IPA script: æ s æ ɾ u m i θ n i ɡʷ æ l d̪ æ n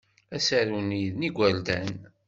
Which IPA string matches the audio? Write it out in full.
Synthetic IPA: æ s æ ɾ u n i ð n i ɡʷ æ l d̪ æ n

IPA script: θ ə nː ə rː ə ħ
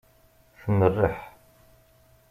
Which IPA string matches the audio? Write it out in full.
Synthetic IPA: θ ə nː ə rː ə ħ

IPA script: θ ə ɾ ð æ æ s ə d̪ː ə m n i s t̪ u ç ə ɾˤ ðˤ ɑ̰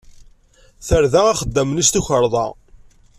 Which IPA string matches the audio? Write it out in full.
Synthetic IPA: θ ə ɾ ð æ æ χ ə d̪ː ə m n i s t̪ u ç ə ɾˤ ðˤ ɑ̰

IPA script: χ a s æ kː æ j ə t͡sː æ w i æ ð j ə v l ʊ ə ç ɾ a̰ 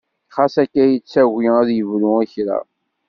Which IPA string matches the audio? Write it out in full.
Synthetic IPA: χ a s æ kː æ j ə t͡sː æ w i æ ð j ə v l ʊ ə ç ɾ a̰

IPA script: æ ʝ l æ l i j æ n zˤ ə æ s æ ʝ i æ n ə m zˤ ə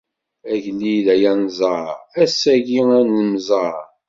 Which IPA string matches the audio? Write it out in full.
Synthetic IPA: æ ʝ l i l æ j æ n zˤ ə æ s æ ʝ i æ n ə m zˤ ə

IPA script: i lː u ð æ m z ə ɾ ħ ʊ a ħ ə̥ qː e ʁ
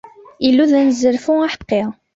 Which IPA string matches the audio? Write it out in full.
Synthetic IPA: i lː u ð æ n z ə ɾ f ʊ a ħ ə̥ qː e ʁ

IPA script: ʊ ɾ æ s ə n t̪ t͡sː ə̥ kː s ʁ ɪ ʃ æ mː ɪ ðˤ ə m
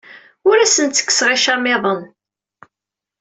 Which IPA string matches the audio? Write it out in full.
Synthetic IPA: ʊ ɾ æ s ə n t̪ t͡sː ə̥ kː s ʁ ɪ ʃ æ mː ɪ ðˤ ə n

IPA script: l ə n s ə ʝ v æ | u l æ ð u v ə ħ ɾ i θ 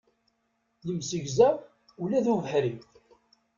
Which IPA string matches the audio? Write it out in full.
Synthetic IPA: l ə m s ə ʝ z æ | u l æ ð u v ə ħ ɾ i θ

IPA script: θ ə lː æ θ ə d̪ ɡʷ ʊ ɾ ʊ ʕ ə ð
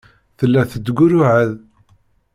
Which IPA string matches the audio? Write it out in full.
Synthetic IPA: θ ə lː æ θ ə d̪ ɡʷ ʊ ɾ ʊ ʕ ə ð

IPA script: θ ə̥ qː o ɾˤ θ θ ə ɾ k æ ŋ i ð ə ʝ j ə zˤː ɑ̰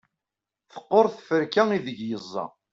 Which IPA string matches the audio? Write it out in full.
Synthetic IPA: θ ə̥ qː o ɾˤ θ f ə ɾ k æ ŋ i ð ə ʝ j ə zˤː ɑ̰

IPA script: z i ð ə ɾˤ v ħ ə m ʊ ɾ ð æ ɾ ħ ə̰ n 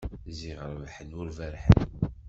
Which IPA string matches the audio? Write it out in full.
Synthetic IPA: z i ʁ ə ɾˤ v ħ ə n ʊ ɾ v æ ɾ ħ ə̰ n

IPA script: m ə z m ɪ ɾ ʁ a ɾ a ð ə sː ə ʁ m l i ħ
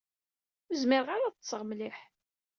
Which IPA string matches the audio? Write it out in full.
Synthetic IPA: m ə z m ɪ ɾ ʁ a ɾ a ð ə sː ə ʁ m l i ħ

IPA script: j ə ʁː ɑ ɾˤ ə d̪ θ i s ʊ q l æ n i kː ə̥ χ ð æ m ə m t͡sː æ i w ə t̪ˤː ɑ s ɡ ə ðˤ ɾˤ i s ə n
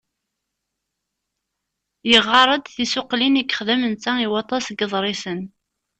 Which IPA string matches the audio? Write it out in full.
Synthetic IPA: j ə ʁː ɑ ɾˤ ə d̪ θ i s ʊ q l i n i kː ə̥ χ ð æ m ə n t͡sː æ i w ɑ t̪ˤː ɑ s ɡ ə ðˤ ɾˤ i s ə n

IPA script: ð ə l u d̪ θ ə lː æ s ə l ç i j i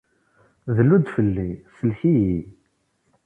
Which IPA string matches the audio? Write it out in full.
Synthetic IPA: ð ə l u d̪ f ə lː i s ə l ç i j i

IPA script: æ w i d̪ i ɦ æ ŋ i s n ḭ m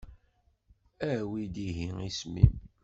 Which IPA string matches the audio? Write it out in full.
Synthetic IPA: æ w i d̪ i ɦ i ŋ i s m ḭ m

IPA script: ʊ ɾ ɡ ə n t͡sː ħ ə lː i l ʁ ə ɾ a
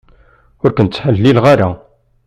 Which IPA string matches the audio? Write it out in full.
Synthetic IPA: ʊ ɾ k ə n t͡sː ħ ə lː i l ʁ a ɾ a

